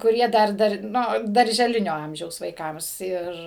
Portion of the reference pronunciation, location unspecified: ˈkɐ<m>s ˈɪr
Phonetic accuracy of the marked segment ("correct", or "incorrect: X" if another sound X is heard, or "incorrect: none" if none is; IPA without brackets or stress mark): correct